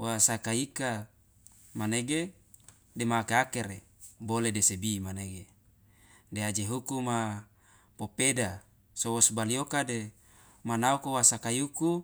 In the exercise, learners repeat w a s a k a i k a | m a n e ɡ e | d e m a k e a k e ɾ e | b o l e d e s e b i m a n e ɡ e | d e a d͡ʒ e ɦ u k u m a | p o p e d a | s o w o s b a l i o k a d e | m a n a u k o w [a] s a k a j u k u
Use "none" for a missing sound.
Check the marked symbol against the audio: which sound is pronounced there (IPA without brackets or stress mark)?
a